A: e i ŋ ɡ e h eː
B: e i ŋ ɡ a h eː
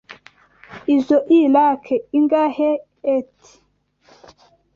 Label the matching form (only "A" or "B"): B